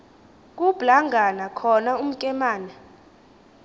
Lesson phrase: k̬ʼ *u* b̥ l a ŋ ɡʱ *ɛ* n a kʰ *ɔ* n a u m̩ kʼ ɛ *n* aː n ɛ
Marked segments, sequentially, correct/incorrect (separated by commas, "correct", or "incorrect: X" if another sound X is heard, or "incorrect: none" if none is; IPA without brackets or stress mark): correct, incorrect: a, correct, incorrect: m